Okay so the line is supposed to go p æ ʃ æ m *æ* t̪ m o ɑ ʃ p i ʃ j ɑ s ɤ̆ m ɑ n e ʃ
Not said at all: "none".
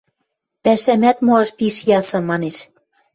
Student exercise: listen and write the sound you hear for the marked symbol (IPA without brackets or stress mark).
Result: æ